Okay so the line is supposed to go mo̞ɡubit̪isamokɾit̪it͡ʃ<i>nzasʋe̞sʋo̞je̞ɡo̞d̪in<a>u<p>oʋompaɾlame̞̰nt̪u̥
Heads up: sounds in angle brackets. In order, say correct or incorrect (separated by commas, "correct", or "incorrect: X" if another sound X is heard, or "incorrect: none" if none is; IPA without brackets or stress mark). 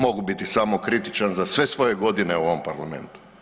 incorrect: a, incorrect: e, incorrect: none